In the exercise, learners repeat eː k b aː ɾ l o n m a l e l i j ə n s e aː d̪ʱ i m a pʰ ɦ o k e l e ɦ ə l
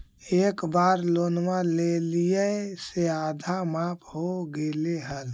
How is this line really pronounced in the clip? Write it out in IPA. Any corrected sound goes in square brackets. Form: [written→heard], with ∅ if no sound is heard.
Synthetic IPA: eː k b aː ɾ l o n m a l e l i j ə [n→∅] s e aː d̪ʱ [i→a] m a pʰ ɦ o [k→ɡ] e l e ɦ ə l